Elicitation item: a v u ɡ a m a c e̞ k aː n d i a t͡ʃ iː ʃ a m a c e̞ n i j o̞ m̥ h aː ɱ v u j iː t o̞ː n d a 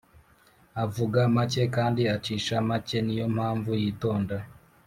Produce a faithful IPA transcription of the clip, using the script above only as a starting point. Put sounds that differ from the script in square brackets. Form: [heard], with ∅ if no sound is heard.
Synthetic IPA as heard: a v u ɡ a m a c e̞ k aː n d i a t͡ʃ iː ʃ a m a c e̞ n i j o̞ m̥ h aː ɱ v u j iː t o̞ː n d a